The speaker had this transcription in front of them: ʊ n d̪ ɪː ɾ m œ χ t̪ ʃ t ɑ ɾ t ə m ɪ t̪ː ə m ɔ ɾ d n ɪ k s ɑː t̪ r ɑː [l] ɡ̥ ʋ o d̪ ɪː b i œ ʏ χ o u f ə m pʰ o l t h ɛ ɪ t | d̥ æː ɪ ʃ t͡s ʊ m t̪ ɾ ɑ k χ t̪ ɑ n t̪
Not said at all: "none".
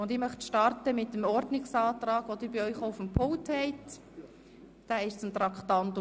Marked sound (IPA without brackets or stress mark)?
none